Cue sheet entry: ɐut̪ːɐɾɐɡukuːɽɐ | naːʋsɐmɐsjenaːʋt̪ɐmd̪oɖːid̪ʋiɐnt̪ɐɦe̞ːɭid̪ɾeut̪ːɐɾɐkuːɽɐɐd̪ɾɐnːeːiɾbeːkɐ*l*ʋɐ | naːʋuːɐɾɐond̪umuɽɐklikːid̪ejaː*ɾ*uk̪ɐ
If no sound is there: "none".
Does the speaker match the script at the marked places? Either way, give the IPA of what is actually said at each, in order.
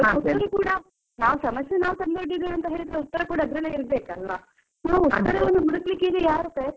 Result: l, ɾ

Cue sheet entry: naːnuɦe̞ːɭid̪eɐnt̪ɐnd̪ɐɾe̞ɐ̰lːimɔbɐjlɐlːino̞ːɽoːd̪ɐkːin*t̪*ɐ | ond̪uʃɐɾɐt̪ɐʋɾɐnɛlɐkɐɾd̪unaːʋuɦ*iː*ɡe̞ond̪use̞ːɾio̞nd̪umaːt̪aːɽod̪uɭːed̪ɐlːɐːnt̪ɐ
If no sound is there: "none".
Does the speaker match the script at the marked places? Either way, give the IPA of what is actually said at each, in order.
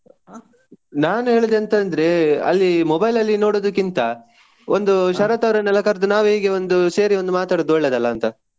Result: t̪, iː

